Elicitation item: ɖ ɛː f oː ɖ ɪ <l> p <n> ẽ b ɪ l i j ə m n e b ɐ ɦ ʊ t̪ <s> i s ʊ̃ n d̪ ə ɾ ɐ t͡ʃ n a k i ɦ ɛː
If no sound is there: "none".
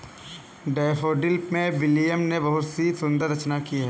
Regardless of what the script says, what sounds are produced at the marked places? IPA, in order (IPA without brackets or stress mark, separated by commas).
l, m, s